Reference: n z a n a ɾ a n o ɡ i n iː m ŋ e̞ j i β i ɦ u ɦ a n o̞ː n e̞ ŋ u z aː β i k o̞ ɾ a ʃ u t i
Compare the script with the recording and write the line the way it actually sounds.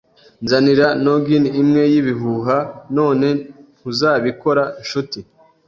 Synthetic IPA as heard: n z a n i ɾ a n o ɡ i n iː m ŋ e̞ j i β i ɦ u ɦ a n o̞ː n e̞ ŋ u z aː β i k o̞ ɾ a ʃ u t i